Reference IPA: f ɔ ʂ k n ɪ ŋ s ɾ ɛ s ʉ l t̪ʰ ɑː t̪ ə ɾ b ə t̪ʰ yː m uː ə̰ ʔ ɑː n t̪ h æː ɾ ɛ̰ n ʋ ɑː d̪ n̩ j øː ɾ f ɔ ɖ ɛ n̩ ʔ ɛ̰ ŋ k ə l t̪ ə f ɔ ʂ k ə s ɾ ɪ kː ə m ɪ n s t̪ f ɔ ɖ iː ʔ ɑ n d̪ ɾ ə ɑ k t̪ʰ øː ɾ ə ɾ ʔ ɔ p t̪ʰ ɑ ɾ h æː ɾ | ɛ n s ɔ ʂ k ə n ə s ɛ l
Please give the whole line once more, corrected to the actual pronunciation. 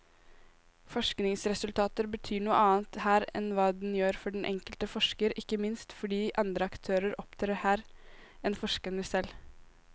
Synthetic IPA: f ɔ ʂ k n ɪ ŋ s ɾ ɛ s ʉ l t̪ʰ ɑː t̪ ə ɾ b ə t̪ʰ yː ɳ uː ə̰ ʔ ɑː n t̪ h æː ɾ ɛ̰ n ʋ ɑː d̪ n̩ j øː ɾ f ɔ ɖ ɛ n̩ ʔ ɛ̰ ŋ k ə l t̪ ə f ɔ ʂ k ə ɾ ɪ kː ə m ɪ n s t̪ f ɔ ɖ iː ʔ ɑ n d̪ ɾ ə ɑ k t̪ʰ øː ɾ ə ɾ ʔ ɔ p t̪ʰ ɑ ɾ h æː ɾ | ɛ n f ɔ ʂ k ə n ə s ɛ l